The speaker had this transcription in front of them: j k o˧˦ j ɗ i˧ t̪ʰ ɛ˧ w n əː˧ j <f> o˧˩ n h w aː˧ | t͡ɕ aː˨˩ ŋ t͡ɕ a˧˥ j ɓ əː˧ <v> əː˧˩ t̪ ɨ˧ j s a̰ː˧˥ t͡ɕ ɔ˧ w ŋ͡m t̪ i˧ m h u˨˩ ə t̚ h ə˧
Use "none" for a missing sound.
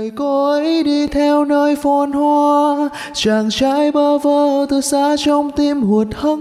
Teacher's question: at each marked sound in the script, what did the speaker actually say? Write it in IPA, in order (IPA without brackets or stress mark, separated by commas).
f, v